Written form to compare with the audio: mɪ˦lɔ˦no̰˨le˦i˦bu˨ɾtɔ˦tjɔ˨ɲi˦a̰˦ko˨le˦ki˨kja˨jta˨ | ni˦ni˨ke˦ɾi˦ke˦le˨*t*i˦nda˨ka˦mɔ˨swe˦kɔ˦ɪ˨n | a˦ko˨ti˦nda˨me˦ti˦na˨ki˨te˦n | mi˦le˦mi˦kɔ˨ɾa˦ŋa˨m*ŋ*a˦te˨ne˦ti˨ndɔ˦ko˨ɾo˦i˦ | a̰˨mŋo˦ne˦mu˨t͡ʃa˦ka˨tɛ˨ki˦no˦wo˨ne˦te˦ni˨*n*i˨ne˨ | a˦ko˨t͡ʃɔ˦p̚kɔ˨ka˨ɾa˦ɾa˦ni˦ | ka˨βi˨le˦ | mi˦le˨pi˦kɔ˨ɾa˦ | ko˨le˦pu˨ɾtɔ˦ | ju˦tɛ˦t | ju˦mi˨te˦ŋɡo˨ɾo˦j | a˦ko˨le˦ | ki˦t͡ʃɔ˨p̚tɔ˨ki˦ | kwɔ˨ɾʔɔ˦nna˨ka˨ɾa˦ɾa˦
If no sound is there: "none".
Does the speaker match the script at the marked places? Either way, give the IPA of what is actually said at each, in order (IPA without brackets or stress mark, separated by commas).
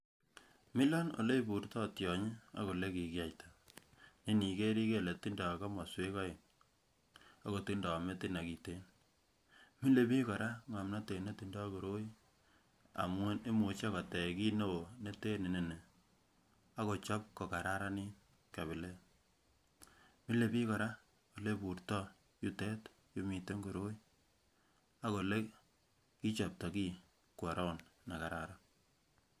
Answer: t, n, n